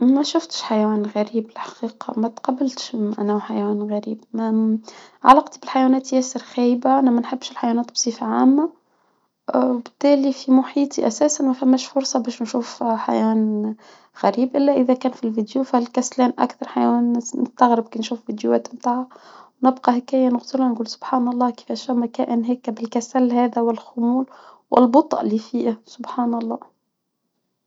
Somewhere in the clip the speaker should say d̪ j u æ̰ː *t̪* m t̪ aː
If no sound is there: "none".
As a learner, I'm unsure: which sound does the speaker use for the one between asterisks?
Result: t̪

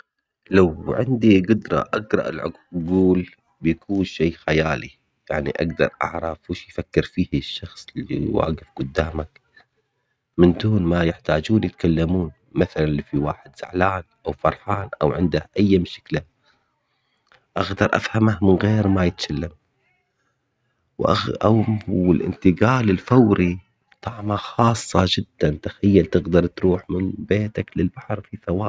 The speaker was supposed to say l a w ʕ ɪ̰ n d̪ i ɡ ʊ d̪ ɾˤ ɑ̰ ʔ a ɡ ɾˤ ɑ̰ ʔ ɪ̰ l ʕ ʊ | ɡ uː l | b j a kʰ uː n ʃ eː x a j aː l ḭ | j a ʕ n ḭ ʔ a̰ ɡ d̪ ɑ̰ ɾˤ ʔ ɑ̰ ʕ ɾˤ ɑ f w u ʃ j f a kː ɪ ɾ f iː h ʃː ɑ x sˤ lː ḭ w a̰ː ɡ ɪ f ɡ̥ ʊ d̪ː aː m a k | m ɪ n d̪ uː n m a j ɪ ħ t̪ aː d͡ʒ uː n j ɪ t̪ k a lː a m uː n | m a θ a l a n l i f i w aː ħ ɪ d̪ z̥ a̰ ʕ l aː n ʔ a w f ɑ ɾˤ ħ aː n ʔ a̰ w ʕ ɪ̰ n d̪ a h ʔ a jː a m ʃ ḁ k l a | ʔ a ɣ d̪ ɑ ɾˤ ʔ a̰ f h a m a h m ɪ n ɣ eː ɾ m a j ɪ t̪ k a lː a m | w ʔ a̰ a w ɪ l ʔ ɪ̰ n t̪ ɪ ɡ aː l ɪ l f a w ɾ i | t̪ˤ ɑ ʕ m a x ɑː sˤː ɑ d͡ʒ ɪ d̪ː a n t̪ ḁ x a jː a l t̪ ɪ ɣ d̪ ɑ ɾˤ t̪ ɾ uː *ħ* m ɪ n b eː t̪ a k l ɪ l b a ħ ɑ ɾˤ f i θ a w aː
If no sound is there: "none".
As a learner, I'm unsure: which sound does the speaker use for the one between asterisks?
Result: ħ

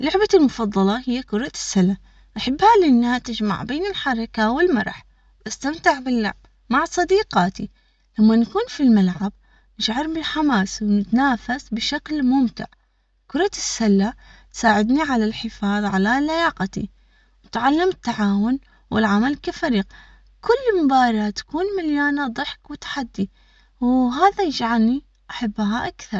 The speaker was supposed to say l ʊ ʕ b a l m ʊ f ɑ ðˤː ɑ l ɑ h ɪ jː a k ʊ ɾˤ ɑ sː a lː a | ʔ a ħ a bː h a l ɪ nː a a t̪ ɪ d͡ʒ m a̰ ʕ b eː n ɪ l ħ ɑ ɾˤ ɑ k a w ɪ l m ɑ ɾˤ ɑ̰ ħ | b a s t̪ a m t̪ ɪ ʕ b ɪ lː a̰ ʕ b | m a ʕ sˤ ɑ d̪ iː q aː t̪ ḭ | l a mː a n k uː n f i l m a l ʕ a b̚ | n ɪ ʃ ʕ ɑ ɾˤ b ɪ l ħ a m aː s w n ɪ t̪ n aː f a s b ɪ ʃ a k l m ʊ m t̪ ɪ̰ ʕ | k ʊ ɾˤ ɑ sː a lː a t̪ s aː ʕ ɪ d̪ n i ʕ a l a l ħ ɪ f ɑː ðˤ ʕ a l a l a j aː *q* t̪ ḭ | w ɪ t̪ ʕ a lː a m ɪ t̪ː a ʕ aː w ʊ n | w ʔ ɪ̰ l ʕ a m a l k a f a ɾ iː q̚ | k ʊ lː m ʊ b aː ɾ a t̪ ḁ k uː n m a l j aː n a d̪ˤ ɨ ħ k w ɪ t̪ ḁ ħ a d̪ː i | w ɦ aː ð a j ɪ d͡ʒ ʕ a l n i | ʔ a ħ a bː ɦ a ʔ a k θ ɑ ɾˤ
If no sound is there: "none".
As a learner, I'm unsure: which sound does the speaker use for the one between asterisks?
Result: q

